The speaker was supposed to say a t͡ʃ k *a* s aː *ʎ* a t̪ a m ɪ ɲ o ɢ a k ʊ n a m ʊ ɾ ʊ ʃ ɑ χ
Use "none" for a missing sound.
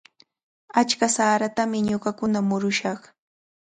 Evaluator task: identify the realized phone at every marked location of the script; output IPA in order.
a, ɾ

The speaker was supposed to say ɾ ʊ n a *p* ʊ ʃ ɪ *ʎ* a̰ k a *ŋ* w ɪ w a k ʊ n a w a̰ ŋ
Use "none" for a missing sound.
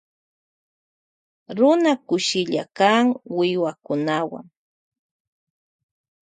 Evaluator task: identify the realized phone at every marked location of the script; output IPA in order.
k, ʎ, ŋ

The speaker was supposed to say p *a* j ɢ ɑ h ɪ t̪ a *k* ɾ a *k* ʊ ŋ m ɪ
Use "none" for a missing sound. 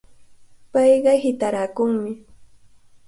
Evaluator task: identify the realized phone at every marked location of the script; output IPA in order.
ɑ, none, k

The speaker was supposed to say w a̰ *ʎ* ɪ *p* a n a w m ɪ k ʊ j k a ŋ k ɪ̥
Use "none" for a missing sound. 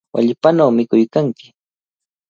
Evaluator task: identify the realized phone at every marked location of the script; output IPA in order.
ʎ, p

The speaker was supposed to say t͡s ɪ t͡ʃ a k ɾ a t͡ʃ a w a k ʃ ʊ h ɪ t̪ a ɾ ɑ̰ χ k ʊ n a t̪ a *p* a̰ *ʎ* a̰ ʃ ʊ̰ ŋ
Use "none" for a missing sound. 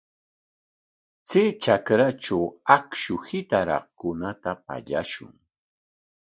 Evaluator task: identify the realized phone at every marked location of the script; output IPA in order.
p, ʎ

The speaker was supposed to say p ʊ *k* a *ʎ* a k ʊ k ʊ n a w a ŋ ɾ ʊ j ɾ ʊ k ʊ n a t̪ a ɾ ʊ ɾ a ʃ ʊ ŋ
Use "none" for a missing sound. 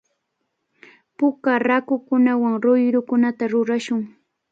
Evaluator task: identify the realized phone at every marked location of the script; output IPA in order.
k, ɾ

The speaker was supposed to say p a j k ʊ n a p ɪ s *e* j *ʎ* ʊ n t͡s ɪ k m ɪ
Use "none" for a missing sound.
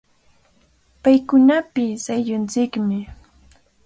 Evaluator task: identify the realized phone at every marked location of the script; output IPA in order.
a, ʎ

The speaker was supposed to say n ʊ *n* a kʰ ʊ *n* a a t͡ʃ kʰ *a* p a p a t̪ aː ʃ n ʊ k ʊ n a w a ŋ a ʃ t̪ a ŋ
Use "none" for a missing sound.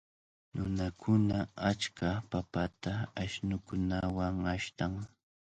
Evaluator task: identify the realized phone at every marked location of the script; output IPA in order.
n, n, a

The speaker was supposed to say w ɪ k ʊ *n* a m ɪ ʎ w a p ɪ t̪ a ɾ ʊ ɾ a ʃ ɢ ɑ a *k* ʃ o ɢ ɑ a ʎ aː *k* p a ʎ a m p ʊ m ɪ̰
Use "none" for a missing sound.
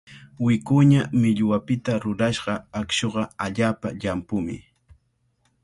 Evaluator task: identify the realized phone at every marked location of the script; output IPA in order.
ɲ, k, none

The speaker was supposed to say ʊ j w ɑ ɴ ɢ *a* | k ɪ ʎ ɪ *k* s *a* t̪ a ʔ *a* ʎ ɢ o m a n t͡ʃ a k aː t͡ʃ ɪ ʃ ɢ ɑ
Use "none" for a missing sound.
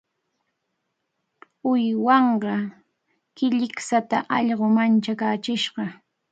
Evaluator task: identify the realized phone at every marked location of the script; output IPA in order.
ɑ, k, a, ɑ

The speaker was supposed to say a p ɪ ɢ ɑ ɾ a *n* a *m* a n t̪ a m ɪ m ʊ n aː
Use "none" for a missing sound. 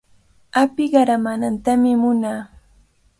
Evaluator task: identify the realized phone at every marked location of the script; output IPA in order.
m, n

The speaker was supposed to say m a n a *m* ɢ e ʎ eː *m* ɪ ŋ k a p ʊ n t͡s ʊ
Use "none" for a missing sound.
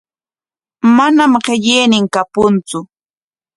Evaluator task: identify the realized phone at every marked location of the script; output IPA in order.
m, n

